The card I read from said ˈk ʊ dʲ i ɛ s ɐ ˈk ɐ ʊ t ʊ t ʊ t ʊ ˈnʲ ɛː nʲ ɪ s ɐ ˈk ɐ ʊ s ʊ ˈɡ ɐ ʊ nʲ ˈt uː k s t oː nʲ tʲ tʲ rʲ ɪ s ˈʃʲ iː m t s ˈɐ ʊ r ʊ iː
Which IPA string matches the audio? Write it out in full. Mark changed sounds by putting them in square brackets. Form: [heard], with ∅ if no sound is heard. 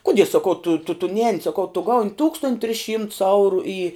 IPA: ˈk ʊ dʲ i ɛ s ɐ ˈk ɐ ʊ t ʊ t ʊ t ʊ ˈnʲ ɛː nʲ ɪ s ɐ ˈk ɐ ʊ [t] ʊ ˈɡ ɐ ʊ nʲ ˈt uː k s t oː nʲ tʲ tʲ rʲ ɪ s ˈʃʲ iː m t s ˈɐ ʊ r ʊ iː

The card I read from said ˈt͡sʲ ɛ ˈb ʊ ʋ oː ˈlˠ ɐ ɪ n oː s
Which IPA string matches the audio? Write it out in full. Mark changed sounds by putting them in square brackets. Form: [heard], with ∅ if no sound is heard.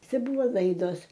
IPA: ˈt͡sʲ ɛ ˈb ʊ ʋ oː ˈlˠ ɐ ɪ [d] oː s

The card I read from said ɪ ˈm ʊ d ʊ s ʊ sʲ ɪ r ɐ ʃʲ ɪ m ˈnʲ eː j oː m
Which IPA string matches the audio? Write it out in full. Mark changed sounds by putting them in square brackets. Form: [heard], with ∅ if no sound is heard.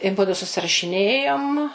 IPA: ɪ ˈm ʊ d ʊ s ʊ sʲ ɪ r ɐ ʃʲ ɪ [∅] ˈnʲ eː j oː m

